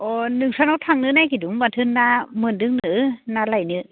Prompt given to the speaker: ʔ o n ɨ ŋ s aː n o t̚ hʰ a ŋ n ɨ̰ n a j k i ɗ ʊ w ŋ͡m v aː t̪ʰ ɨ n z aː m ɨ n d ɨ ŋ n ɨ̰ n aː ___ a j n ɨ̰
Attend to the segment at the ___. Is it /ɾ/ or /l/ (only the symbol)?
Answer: l